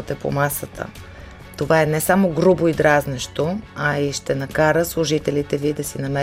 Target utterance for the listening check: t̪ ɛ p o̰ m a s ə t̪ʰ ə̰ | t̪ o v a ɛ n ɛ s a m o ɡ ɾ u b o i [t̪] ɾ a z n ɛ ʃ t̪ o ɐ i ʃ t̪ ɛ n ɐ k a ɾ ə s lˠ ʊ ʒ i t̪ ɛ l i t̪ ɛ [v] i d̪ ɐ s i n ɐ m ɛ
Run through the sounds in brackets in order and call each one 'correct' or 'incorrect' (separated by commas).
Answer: incorrect, correct